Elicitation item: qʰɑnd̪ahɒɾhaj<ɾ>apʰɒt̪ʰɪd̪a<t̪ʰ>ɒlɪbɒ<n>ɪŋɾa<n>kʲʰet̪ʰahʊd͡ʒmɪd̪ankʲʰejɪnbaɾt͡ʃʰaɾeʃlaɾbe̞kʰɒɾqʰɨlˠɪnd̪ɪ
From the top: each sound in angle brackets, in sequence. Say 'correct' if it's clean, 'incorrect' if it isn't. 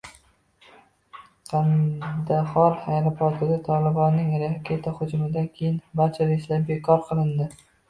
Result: correct, correct, incorrect: nː, incorrect: none

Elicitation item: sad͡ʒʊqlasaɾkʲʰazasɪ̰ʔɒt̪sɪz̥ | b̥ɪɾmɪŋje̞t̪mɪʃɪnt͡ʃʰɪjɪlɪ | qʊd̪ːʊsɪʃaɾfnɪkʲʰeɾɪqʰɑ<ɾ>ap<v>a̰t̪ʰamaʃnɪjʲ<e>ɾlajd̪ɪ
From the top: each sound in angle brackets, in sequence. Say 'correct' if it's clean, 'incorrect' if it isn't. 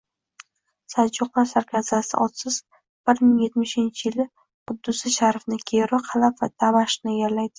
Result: incorrect: l, correct, incorrect: a

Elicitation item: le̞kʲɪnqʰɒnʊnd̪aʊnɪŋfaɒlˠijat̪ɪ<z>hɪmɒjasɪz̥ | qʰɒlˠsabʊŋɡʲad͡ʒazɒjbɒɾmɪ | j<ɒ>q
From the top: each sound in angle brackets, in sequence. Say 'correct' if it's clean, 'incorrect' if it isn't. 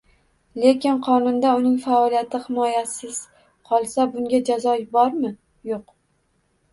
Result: incorrect: none, incorrect: o

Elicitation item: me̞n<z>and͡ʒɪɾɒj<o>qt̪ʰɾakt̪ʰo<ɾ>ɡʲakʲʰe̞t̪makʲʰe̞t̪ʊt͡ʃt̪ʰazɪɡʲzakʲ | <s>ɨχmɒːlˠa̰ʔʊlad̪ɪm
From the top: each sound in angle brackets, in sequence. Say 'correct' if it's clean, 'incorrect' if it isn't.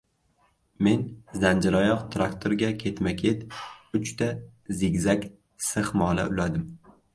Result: correct, incorrect: ɒ, correct, correct

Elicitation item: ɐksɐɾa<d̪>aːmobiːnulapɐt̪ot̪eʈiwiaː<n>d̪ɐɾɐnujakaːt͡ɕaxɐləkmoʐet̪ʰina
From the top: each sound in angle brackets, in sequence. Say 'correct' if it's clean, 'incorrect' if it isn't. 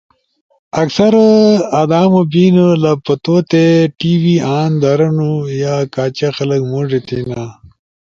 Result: correct, correct

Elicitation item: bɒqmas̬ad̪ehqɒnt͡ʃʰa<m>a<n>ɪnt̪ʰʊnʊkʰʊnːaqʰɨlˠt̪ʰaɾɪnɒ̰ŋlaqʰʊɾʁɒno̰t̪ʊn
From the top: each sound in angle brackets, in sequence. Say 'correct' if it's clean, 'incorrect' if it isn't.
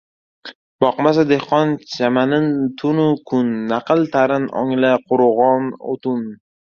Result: correct, correct

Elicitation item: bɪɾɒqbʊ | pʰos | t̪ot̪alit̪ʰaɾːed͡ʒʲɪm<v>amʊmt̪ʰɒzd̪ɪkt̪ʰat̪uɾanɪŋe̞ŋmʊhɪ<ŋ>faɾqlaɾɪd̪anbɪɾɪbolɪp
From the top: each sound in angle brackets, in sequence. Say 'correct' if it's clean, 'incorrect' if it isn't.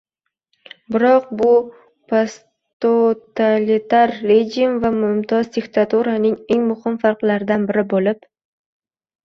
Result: correct, incorrect: m

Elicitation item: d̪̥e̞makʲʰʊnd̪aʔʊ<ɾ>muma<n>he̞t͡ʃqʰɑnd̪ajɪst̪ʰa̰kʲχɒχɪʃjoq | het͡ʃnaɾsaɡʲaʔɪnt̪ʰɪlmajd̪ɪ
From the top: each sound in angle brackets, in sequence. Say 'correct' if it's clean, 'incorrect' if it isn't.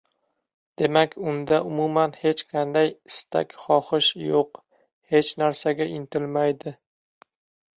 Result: incorrect: none, correct

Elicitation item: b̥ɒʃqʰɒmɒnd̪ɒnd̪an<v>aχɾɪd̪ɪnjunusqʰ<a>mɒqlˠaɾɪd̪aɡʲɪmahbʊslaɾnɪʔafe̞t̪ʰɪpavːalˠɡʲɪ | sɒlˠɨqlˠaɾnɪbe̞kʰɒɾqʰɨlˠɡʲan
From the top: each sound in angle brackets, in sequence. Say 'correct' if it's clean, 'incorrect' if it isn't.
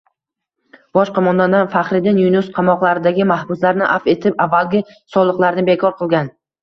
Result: incorrect: f, incorrect: ɑ

